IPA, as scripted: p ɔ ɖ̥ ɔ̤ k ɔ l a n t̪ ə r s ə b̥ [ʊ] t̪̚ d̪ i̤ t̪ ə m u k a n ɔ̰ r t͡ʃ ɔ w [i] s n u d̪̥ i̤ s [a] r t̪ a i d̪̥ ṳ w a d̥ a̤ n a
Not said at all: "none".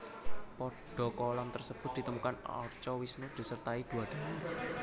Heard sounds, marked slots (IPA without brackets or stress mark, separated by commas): ʊ, i, ə